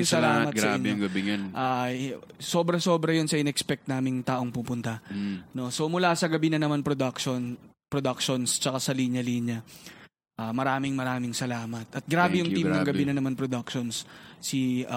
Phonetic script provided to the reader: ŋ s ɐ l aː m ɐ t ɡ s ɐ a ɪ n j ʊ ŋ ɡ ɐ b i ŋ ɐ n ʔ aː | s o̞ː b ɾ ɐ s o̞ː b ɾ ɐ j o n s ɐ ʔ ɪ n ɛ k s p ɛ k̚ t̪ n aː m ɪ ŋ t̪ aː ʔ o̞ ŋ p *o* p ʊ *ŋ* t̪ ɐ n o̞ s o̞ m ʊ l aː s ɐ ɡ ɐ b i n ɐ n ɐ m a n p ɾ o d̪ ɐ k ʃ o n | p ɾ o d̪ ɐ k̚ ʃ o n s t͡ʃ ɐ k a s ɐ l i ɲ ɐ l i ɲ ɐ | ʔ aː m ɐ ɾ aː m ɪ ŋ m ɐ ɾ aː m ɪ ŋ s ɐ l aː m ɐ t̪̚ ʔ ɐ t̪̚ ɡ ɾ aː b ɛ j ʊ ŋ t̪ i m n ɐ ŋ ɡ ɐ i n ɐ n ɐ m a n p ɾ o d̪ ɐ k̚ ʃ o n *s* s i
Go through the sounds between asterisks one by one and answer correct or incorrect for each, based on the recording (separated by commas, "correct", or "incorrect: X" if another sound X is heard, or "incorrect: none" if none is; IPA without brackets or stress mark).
incorrect: u, incorrect: n, correct